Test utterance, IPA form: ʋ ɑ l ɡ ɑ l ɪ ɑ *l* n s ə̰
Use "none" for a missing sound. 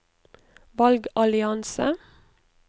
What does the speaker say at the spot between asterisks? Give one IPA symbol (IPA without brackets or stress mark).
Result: none